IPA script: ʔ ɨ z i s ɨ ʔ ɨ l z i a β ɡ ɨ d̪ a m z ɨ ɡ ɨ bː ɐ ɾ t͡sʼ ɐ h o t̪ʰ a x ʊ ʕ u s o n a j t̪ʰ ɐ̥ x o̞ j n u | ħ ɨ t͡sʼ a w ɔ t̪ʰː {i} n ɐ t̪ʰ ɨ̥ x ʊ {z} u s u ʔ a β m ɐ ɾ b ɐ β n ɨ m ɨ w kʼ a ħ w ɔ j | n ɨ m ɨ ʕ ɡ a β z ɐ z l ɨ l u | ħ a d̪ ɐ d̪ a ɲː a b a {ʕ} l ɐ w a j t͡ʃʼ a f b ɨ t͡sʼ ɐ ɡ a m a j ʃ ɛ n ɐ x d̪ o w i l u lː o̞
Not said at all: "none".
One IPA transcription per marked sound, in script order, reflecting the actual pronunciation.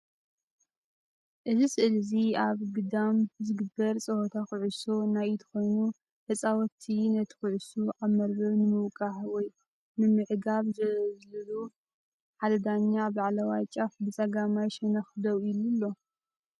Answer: i, ʕ, ʕ

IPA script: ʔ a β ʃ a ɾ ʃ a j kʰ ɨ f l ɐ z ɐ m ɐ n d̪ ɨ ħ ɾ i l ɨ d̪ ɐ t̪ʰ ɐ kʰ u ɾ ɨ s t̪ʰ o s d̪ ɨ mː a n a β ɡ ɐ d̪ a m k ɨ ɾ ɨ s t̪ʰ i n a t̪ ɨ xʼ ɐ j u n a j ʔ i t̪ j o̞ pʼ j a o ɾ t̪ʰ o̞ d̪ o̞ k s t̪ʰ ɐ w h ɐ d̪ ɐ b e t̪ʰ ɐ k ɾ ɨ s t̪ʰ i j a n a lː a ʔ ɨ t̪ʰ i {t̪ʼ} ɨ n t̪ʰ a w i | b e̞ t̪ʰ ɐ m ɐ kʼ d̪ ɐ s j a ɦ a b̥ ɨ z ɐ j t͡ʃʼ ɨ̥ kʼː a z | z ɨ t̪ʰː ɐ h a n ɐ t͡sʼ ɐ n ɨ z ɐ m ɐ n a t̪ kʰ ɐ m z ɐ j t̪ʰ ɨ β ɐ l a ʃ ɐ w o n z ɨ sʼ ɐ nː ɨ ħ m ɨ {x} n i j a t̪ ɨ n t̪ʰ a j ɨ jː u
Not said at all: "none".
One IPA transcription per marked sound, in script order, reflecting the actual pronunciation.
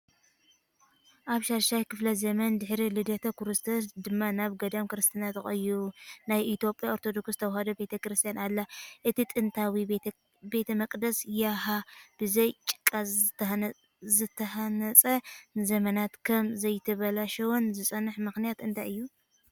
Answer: t̪ʼ, x

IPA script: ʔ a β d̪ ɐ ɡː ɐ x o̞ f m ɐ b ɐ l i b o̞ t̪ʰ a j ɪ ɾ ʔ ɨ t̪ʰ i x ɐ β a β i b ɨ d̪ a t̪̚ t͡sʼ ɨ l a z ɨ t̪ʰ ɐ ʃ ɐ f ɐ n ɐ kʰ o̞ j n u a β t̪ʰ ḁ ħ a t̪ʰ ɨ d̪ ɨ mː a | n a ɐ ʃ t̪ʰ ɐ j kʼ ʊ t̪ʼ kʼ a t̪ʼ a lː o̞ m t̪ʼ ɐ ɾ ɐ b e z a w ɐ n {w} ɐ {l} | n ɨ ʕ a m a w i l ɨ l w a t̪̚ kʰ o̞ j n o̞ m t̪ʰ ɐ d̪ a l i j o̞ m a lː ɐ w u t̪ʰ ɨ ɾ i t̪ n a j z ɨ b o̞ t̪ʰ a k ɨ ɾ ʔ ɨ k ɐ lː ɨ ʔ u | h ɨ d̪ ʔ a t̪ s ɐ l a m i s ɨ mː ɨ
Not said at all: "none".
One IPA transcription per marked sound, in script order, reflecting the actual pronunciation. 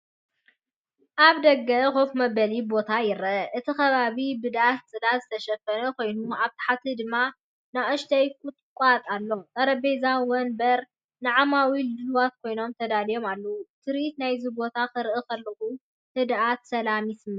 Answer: b, ɾ

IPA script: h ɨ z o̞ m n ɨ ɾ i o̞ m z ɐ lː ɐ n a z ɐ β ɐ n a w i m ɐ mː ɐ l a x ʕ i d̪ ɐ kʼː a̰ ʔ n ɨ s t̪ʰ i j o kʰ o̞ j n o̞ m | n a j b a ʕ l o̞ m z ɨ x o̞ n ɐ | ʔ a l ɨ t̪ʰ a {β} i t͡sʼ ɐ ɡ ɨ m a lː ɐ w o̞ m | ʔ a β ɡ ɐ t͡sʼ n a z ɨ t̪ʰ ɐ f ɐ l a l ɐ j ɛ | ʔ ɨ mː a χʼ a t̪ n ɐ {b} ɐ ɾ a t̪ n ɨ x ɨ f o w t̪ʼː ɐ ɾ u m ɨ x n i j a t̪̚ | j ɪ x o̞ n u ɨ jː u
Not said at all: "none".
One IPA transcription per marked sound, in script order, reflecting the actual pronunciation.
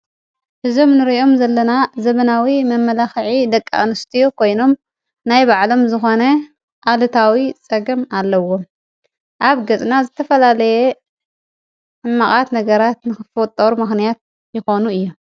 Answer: w, ɡ

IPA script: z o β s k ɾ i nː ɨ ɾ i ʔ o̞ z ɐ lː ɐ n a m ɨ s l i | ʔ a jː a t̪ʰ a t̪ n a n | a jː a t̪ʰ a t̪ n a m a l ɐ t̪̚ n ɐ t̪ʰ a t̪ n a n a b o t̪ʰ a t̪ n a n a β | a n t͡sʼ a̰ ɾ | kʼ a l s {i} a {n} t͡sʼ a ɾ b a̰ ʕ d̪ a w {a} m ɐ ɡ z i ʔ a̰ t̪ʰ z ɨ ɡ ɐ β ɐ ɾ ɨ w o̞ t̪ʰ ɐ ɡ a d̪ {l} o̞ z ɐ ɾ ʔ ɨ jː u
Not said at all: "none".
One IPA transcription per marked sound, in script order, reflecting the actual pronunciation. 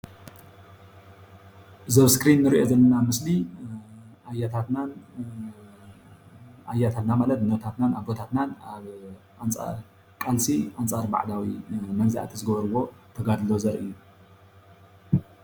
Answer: i, n, i, l

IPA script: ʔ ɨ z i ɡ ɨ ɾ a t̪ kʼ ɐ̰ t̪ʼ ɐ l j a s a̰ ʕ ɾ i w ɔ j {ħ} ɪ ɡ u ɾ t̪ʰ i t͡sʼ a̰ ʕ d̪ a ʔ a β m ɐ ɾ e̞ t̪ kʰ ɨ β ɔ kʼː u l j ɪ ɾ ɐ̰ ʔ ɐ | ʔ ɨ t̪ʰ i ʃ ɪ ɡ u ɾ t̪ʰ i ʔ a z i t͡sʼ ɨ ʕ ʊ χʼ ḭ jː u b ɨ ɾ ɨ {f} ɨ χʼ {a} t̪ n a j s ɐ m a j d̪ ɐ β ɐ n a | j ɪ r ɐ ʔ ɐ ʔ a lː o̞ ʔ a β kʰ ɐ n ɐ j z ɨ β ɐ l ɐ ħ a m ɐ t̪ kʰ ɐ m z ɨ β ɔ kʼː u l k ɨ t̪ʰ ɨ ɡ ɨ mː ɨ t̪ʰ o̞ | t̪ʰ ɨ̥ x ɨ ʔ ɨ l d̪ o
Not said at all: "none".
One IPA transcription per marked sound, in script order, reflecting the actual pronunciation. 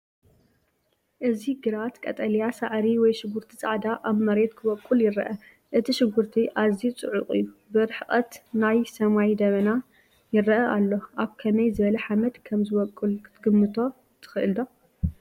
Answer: ʃ, ħ, ɐ

